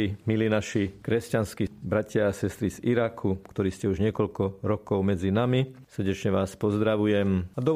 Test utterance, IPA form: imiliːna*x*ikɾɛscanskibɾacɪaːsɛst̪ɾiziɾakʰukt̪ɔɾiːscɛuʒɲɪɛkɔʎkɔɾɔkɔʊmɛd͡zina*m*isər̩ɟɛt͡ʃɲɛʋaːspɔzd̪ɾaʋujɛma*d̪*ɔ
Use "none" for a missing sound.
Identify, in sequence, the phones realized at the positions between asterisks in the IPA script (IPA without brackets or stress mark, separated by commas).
ʃ, m, d̪